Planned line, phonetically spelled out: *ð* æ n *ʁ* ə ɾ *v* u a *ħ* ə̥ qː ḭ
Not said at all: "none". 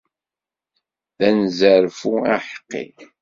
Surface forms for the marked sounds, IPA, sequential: ð, z, f, ħ

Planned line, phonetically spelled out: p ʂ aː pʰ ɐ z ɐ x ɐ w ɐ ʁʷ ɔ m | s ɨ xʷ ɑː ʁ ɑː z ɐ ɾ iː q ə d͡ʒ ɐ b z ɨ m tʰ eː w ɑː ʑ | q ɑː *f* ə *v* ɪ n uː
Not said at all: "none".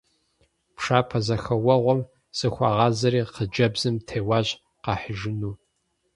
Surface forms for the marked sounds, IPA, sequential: ħ, ʒ

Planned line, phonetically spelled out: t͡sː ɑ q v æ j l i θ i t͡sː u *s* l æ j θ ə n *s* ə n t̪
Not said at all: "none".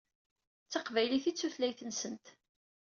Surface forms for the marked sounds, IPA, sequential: θ, s

